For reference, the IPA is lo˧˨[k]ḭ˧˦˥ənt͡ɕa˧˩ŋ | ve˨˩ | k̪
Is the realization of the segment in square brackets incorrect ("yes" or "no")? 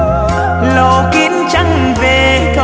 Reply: no